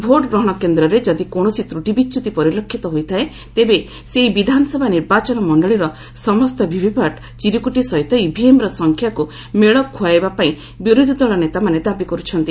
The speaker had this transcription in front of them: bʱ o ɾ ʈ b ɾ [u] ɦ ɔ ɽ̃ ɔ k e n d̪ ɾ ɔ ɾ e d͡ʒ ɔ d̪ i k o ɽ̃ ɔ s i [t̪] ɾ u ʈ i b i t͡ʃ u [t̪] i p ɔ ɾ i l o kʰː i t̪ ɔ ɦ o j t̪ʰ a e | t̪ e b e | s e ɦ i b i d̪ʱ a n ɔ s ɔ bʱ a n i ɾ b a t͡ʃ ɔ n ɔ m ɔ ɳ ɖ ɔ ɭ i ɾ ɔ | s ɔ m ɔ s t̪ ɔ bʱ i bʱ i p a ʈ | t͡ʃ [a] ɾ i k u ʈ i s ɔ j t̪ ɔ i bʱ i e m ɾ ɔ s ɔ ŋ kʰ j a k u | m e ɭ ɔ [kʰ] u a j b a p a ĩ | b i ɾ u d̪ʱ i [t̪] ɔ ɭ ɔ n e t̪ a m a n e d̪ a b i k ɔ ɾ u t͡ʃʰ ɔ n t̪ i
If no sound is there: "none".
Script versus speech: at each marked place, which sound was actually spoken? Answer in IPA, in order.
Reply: ɔ, t̪, t̪, i, kʰ, d̪

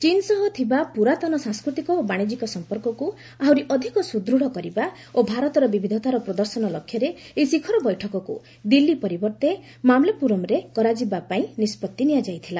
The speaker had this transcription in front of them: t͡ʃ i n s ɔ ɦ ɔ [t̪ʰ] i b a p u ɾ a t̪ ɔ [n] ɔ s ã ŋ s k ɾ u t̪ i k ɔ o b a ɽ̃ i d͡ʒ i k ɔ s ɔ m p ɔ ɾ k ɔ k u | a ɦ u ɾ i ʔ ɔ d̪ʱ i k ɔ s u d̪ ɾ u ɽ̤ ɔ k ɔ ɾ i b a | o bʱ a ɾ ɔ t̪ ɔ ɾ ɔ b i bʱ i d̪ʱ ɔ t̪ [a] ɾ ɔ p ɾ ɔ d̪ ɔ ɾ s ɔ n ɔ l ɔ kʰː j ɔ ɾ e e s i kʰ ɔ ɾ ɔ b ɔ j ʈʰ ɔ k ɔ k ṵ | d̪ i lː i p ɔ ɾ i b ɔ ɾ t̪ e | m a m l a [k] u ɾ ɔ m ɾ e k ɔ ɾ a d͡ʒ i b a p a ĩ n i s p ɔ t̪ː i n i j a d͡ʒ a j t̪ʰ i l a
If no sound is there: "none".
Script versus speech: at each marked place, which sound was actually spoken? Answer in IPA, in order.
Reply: t̪ʰ, n, a, p

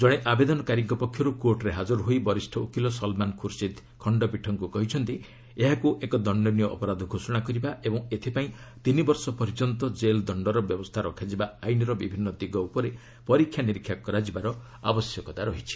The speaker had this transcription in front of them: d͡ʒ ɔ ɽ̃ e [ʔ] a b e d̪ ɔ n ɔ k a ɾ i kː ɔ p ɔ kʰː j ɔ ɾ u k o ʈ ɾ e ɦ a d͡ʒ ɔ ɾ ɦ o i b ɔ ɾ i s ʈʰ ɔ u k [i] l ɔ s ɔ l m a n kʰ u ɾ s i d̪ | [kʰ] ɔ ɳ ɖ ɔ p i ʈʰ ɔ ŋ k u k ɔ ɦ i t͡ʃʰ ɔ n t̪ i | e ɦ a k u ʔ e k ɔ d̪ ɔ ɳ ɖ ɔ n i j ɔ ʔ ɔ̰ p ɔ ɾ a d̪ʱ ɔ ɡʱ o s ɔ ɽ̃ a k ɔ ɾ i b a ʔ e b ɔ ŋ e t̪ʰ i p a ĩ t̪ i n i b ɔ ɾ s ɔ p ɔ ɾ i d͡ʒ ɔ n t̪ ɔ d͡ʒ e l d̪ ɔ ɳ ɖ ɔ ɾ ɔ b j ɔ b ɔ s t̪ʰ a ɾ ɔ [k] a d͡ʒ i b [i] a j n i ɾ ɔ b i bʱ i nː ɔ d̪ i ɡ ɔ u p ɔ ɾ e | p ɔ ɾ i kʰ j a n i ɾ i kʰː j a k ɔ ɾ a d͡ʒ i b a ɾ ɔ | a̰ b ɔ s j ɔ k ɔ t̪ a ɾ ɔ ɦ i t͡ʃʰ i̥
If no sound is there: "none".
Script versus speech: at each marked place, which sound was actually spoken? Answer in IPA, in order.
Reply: ʔ, i, kʰ, kʰ, a

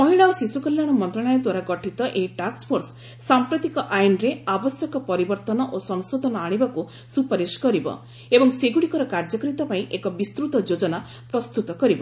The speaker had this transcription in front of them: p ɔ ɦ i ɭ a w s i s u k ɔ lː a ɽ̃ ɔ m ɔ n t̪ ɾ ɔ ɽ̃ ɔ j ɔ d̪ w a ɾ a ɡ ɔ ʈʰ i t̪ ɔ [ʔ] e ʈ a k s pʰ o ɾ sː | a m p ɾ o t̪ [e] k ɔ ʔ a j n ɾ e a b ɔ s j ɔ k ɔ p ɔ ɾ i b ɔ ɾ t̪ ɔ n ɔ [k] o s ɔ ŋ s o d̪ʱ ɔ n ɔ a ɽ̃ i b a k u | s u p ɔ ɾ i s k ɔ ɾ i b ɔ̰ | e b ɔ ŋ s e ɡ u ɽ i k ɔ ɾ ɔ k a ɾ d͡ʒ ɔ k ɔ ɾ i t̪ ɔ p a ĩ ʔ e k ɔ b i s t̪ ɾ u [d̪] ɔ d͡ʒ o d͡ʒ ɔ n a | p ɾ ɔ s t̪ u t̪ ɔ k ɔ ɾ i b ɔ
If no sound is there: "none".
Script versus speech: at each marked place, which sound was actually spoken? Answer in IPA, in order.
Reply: ʔ, i, ʔ, t̪

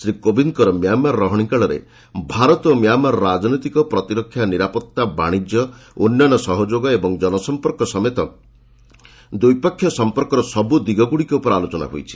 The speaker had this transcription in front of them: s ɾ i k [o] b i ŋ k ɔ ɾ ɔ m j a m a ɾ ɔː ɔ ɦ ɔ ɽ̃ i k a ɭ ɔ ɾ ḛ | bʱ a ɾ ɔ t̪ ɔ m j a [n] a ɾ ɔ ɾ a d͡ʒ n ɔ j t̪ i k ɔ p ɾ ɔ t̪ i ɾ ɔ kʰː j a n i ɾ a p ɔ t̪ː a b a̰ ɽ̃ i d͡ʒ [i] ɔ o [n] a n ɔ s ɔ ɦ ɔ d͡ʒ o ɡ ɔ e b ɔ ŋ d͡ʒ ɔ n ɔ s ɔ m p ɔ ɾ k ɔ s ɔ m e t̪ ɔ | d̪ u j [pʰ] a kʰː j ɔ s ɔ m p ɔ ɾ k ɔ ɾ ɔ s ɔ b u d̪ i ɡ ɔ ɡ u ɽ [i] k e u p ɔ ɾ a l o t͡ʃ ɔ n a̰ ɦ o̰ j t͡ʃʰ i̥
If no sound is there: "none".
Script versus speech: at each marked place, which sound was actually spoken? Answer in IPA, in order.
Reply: o, m, j, nː, p, i

